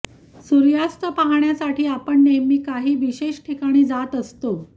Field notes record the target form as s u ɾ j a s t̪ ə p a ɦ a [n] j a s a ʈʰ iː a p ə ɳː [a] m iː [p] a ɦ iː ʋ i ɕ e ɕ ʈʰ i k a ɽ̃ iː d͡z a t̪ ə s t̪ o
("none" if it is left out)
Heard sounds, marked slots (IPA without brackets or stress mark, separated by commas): ɳ, e, k